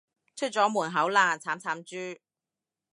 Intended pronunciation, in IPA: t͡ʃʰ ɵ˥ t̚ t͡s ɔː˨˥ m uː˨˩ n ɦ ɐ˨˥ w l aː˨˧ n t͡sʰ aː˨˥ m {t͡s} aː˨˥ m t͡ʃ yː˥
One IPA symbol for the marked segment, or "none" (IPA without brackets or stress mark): t͡sʰ